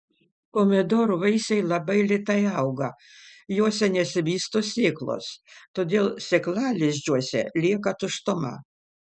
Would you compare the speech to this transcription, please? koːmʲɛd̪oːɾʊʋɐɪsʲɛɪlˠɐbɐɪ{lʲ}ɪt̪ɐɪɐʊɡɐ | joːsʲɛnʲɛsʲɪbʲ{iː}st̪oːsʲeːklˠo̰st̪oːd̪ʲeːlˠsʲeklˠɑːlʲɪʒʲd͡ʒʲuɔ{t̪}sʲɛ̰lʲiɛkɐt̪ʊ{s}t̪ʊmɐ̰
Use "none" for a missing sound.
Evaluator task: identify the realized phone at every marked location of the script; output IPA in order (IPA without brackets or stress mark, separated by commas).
lʲ, iː, none, ʃ